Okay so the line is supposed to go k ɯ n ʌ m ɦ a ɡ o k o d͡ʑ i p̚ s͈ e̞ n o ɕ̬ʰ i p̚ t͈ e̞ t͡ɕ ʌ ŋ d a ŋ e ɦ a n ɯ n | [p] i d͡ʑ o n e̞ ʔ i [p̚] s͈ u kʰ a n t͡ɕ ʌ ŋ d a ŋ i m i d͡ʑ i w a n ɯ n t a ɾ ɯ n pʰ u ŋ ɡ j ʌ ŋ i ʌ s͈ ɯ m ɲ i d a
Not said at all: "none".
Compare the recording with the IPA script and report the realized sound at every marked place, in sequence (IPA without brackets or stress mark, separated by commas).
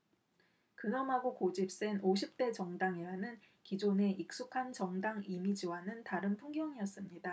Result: k, k̚